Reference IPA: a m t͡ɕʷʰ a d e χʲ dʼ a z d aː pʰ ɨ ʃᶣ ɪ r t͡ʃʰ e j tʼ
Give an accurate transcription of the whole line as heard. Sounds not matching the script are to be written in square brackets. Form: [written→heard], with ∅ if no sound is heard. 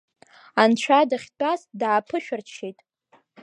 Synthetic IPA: a [m→n] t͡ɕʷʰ a d [e→a] χʲ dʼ a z d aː pʰ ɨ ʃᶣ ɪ r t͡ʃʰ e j tʼ